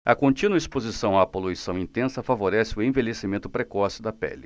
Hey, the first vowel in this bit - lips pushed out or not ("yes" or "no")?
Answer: no